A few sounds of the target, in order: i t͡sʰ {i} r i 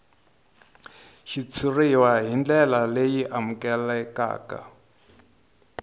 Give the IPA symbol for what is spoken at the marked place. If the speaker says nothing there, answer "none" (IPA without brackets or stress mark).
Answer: i